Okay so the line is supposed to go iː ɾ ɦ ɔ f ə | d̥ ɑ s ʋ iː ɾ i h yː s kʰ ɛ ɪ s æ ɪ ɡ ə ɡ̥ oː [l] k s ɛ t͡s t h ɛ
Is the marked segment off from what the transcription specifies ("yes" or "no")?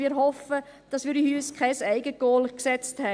no